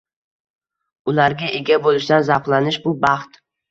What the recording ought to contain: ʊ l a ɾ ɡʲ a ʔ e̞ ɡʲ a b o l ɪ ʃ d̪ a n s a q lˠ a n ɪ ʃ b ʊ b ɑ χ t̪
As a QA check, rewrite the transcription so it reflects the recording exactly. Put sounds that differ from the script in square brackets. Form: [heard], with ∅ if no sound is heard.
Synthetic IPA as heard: ʊ l a ɾ ɡʲ a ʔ e̞ ɡʲ a b o l ɪ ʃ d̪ a n [z] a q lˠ a n ɪ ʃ b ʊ b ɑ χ t̪